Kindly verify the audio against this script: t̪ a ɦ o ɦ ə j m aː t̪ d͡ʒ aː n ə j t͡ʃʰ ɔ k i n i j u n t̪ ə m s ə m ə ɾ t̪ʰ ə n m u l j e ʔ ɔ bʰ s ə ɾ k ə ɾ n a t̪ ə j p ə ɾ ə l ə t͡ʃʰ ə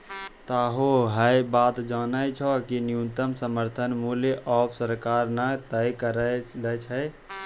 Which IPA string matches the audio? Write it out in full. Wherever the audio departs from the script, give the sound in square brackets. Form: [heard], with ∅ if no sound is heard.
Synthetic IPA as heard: t̪ a ɦ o ɦ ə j [b] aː t̪ d͡ʒ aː n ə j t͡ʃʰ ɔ k i n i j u n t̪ ə m s ə m ə ɾ t̪ʰ ə n m u l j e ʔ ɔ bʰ s ə ɾ k [a] ɾ n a t̪ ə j [k] ə ɾ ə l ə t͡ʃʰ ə